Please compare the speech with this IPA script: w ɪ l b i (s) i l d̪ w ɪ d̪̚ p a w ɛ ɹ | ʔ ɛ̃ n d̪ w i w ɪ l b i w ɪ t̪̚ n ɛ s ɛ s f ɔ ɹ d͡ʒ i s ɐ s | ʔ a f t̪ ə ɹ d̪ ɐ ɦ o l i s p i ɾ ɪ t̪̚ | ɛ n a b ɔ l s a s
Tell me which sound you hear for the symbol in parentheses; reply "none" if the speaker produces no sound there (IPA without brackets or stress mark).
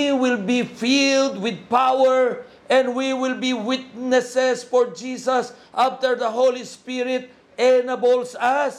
f